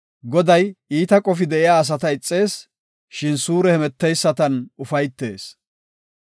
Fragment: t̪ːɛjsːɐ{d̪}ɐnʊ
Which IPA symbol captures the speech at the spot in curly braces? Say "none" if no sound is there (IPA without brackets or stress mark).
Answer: t̪